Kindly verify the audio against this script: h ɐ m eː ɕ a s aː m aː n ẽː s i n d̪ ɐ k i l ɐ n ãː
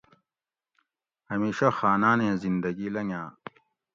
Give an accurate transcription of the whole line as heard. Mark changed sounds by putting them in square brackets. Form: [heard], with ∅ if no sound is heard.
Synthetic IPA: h ɐ m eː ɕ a [x] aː [n] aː n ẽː [z] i n d̪ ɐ [ɡ] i l ɐ [ŋ] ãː